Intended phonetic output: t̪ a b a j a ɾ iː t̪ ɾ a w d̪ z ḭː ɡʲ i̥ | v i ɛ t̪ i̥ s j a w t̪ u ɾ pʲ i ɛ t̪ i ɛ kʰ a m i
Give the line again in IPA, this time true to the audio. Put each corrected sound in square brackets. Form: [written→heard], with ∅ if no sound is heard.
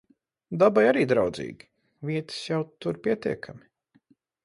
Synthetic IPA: [t̪→d̪] a b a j a ɾ iː [t̪→d̪] ɾ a w d̪ z ḭː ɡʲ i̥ | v i ɛ t̪ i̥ s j a w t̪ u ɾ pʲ i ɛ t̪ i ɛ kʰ a m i